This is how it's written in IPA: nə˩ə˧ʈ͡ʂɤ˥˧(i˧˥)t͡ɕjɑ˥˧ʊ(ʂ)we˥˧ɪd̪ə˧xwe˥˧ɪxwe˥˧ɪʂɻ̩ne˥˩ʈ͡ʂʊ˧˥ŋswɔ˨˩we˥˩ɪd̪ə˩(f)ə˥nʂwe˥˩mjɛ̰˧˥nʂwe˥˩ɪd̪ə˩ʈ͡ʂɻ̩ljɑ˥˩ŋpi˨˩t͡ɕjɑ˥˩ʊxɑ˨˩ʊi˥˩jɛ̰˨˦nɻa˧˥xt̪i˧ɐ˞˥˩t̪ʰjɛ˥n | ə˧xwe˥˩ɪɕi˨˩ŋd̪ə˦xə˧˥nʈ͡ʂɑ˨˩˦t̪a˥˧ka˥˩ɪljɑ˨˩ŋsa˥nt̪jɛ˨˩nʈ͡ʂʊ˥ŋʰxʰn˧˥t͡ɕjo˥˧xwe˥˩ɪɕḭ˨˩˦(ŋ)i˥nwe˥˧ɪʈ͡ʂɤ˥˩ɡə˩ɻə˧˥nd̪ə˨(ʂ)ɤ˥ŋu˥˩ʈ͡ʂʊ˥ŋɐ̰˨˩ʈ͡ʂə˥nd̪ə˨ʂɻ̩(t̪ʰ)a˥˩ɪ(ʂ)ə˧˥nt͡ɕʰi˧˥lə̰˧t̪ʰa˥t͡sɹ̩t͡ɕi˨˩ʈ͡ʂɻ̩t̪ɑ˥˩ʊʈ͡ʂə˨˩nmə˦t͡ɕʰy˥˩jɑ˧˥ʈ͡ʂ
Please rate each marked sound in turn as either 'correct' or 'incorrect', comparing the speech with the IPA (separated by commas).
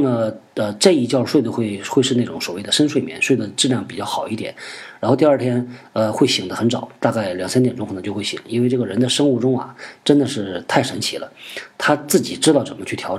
incorrect, correct, incorrect, correct, correct, correct, correct